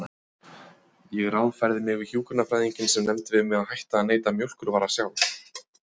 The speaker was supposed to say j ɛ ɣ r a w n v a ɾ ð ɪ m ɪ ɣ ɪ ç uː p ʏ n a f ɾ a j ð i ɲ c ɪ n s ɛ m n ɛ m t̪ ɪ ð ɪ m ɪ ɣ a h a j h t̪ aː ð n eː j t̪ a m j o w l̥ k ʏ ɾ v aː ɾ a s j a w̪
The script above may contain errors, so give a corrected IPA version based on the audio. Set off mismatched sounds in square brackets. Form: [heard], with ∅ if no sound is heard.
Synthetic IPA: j ɛ ɣ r a w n [f] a ɾ ð ɪ m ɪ ɣ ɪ ç uː [k] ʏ n a f ɾ a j ð i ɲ c ɪ n s ɛ m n ɛ m t̪ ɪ [v] ɪ m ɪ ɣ a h a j h t̪ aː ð n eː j t̪ a m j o w l̥ k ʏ ɾ v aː ɾ a s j a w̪